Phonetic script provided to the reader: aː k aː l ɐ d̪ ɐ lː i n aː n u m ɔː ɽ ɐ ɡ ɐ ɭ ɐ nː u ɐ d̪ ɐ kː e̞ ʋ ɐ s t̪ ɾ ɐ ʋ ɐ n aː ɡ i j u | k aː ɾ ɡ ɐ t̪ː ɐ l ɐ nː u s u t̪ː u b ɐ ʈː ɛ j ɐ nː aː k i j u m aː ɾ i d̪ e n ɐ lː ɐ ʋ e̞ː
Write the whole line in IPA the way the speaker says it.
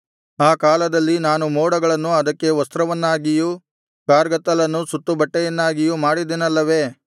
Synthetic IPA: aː k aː l ɐ d̪ ɐ lː i n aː n u m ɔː ɽ ɐ ɡ ɐ ɭ ɐ nː u ɐ d̪ ɐ kː e̞ ʋ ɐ s t̪ ɾ ɐ ʋ ɐ nː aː ɡ i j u | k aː ɾ ɡ ɐ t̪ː ɐ l ɐ nː u s u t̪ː u b ɐ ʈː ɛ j ɐ nː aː ɡ i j u m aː ɽ i d̪ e n ɐ lː ɐ ʋ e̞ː